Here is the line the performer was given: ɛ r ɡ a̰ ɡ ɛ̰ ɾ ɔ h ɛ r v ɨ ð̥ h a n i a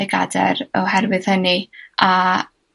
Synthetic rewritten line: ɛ ɡ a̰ d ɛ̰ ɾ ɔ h ɛ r v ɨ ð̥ h ə n i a